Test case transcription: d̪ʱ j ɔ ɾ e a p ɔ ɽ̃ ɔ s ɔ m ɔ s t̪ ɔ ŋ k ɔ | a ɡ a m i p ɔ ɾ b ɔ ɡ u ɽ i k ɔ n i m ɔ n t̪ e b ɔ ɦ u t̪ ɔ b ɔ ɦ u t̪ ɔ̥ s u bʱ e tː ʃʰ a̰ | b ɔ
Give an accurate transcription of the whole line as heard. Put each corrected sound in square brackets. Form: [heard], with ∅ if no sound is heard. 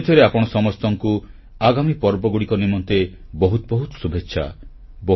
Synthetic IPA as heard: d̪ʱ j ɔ ɾ e a p ɔ ɽ̃ ɔ s ɔ m ɔ s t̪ ɔ ŋ k [u] | a ɡ a m i p ɔ ɾ b ɔ ɡ u ɽ i k ɔ n i m ɔ n t̪ e b ɔ ɦ u t̪ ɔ b ɔ ɦ u t̪ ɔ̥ s u bʱ e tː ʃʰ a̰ | b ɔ